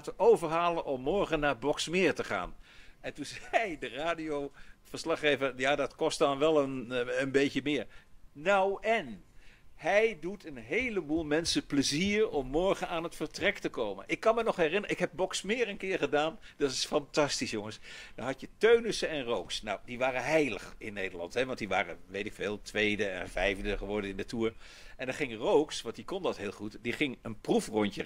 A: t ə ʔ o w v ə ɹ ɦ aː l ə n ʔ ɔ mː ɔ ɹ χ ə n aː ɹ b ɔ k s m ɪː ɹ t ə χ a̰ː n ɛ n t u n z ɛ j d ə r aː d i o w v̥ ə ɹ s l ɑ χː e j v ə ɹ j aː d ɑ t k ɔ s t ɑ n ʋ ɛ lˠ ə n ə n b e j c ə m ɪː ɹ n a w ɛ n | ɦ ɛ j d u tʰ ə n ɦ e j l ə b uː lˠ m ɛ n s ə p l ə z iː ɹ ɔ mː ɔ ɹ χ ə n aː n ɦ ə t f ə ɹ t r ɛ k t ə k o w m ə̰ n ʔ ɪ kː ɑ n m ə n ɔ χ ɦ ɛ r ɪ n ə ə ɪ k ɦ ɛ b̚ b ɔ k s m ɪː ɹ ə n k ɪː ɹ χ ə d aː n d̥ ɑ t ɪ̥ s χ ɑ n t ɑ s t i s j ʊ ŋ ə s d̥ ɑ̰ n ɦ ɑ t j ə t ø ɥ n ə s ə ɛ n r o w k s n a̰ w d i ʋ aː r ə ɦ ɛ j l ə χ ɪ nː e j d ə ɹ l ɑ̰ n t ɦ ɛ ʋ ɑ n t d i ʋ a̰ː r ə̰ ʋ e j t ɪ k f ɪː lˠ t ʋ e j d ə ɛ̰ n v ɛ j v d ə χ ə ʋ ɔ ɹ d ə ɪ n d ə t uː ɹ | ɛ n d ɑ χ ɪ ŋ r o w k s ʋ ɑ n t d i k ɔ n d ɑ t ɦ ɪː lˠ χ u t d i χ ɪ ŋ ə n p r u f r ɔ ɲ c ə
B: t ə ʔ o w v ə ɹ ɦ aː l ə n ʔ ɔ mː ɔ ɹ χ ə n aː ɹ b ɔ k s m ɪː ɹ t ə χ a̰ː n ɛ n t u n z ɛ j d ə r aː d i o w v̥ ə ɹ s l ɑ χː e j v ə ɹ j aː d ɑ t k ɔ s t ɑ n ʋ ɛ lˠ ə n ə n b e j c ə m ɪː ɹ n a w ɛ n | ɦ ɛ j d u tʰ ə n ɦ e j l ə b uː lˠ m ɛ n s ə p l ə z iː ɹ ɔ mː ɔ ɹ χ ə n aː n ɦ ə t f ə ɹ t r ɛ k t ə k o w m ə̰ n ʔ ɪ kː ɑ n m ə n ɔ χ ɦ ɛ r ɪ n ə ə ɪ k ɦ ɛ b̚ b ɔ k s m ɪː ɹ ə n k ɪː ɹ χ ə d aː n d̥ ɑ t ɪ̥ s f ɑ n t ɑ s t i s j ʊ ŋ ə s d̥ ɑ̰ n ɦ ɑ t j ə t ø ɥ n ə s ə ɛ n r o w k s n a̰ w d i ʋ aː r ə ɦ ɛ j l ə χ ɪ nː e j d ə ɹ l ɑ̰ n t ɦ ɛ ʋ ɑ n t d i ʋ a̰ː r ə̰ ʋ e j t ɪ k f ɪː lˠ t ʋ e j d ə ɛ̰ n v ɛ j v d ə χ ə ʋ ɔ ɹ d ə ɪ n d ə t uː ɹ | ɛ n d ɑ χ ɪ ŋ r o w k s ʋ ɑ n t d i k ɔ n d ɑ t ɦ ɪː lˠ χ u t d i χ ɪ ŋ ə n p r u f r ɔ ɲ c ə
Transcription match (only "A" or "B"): B